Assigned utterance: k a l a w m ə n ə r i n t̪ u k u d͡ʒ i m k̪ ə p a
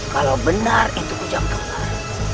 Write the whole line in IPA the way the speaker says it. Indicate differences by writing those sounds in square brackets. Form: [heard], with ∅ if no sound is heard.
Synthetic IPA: k a l a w [b] ə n [a] r i n t̪ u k u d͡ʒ [a] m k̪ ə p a